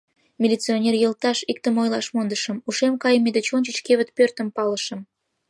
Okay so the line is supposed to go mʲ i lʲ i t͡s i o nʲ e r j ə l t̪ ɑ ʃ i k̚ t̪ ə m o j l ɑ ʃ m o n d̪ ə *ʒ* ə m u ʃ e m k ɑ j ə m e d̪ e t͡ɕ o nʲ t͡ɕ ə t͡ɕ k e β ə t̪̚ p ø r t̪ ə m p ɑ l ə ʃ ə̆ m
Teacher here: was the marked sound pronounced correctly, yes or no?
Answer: no